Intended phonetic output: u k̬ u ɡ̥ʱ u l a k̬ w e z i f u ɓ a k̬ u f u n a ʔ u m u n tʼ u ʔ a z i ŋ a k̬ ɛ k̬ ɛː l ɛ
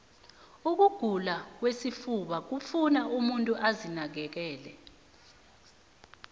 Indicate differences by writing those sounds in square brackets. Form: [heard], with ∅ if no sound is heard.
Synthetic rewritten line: u k̬ u ɡ̥ʱ u l a k̬ w e [s] i f u ɓ a k̬ u f u n a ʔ u m u n tʼ u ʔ a z i [n] a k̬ ɛ k̬ ɛː l ɛ